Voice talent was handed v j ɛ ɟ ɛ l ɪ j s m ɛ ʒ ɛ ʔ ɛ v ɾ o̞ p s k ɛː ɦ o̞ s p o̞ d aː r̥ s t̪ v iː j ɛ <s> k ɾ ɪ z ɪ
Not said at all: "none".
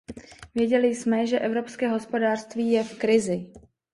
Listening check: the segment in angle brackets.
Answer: f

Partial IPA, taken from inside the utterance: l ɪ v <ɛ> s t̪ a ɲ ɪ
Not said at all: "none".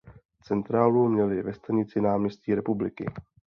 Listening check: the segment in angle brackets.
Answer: ɛ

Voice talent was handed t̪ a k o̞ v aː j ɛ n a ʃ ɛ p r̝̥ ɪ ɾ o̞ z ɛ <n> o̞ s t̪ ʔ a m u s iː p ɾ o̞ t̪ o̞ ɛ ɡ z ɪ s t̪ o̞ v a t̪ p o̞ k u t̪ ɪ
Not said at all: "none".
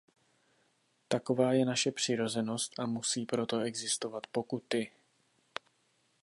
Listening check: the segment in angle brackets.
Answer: n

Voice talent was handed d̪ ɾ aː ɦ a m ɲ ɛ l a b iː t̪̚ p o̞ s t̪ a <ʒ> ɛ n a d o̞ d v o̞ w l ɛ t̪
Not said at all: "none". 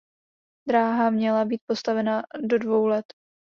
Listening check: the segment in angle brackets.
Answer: v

